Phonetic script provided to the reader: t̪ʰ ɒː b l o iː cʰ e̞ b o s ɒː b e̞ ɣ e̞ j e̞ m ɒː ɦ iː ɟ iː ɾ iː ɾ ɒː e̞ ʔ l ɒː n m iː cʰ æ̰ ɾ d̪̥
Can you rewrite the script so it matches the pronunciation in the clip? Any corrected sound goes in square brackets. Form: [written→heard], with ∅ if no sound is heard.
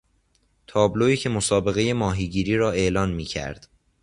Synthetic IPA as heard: t̪ʰ ɒː b l o iː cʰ e̞ [b→m] o s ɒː b e̞ ɣ e̞ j e̞ m ɒː ɦ iː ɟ iː ɾ iː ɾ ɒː e̞ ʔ l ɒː n m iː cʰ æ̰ ɾ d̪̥